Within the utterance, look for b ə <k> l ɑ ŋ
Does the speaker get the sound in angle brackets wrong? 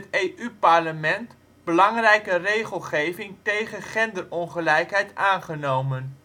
yes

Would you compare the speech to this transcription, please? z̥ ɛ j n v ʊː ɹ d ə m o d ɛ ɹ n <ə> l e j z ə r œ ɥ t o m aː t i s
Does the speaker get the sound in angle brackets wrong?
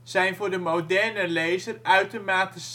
no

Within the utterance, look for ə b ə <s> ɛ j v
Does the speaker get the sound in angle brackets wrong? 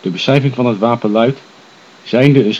no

